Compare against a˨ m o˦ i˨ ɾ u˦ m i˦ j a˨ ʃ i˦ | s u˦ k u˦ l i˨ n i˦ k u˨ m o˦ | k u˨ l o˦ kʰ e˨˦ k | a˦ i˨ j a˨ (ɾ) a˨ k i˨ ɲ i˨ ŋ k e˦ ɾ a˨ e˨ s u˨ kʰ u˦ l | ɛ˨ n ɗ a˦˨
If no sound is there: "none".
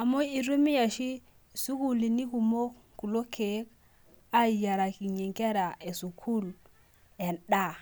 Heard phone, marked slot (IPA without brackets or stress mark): ɾ